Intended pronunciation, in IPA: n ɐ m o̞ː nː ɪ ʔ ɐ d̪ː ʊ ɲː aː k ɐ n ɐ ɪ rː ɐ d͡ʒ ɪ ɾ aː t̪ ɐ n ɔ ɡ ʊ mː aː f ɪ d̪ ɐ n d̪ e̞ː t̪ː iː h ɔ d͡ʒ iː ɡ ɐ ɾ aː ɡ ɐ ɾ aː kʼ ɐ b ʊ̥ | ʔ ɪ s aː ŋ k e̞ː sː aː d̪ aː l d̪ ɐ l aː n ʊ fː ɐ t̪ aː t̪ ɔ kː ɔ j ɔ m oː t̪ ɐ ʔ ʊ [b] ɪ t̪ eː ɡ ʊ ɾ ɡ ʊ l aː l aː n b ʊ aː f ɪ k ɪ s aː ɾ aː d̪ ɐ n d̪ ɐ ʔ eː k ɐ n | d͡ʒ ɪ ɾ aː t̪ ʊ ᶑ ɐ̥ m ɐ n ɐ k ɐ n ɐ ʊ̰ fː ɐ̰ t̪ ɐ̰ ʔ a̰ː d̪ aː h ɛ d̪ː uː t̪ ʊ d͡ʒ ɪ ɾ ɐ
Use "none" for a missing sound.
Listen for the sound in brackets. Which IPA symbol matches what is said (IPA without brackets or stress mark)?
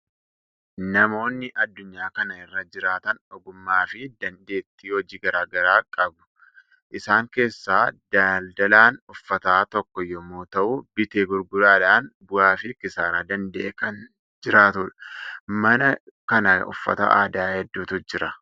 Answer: b